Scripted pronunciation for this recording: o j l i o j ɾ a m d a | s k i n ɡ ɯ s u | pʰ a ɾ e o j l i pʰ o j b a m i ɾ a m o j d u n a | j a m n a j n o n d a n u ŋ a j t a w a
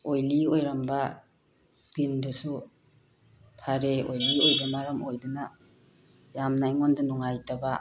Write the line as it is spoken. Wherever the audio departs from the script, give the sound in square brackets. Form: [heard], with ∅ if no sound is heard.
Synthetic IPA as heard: o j l i o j ɾ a m [b] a | s k i n [d] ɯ s u | pʰ a ɾ e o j l i [∅] o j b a m [a] ɾ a m o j d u n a | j a m n a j [ŋ] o n d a n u ŋ a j t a [b] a